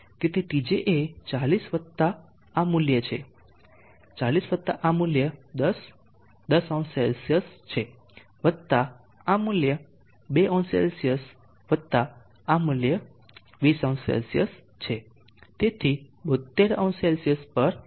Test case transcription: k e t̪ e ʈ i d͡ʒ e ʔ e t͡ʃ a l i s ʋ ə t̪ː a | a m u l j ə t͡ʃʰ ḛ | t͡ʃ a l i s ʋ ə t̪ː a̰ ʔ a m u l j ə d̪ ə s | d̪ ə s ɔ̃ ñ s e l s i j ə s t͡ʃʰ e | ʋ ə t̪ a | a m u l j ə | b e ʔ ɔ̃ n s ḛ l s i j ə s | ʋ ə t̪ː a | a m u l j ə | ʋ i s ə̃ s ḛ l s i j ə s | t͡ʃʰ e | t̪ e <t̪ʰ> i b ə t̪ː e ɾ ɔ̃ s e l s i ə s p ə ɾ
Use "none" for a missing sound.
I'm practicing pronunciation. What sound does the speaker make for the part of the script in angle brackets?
t̪ʰ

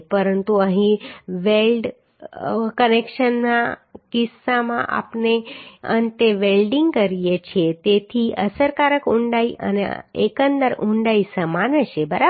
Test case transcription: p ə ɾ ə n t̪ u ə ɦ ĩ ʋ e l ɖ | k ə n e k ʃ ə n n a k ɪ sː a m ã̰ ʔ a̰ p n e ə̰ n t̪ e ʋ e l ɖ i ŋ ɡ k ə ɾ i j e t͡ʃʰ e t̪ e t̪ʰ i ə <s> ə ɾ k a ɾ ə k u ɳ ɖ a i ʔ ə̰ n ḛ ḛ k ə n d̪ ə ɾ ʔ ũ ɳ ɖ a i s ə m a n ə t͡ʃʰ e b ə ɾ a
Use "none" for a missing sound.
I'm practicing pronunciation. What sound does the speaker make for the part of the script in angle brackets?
s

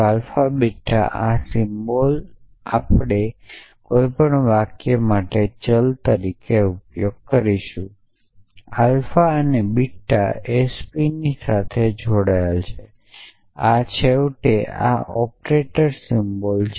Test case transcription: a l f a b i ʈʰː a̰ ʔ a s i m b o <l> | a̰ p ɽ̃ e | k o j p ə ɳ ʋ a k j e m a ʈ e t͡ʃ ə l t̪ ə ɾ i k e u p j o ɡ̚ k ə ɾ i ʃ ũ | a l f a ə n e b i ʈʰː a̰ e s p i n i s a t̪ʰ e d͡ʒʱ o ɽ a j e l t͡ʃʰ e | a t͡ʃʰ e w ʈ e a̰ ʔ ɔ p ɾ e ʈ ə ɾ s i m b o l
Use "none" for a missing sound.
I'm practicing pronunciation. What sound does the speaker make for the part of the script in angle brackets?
l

